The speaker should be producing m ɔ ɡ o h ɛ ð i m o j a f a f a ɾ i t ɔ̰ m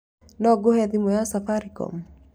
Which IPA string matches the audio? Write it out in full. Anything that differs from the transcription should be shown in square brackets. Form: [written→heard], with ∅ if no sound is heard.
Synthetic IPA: [m→n] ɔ ɡ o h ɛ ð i m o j a [f→s] a f a ɾ i [t→k] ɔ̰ m